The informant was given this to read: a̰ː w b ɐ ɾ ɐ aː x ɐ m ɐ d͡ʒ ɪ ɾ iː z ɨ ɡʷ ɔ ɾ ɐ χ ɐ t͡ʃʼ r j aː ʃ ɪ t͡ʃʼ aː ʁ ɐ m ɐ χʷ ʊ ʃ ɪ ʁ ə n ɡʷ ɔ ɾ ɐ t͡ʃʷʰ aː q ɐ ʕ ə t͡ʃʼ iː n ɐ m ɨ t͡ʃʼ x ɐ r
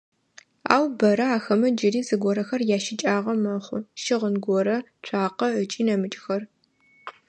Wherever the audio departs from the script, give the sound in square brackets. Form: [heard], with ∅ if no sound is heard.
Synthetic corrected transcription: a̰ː w b ɐ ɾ ɐ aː x ɐ m ɐ d͡ʒ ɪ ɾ iː z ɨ ɡʷ ɔ ɾ ɐ [x] ɐ [∅] r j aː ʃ ɪ t͡ʃʼ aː ʁ ɐ m ɐ χʷ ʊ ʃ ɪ ʁ ə n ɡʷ ɔ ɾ ɐ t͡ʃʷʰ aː q ɐ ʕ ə t͡ʃʼ iː n ɐ m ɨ t͡ʃʼ x ɐ r